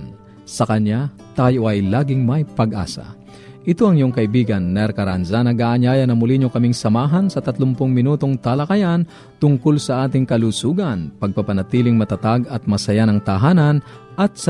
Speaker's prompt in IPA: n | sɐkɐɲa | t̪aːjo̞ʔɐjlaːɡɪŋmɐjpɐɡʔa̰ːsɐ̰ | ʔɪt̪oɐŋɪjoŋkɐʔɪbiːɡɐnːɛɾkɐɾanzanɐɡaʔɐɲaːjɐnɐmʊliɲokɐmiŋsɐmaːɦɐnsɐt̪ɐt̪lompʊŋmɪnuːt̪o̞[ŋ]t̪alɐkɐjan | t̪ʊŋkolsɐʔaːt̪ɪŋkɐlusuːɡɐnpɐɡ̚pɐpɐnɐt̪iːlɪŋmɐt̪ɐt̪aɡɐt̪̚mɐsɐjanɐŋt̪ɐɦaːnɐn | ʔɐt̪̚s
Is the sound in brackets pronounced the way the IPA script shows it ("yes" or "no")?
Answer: yes